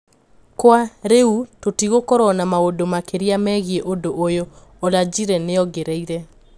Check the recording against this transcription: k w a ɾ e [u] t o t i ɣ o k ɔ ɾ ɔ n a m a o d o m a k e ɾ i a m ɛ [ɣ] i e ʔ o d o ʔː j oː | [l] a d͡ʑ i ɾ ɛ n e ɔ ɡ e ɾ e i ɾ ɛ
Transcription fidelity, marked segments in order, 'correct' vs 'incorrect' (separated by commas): correct, correct, correct